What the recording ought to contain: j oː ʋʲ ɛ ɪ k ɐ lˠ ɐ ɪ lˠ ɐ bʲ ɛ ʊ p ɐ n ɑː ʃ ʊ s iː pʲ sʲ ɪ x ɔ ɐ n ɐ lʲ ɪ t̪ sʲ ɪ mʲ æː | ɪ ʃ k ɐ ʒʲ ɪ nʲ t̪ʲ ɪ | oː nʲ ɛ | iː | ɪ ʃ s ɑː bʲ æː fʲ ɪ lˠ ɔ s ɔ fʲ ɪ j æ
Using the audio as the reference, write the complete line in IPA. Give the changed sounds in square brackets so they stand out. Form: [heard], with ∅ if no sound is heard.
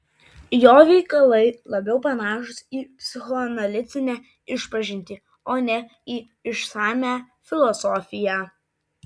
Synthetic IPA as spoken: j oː ʋʲ ɛ ɪ k ɐ lˠ ɐ ɪ lˠ ɐ bʲ ɛ ʊ p ɐ n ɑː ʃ ʊ s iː pʲ sʲ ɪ x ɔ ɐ n ɐ lʲ ɪ t̪ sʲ ɪ [nʲ] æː | ɪ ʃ [p] ɐ ʒʲ ɪ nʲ t̪ʲ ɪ | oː nʲ ɛ | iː | ɪ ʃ s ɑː [mʲ] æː fʲ ɪ lˠ ɔ s ɔ fʲ ɪ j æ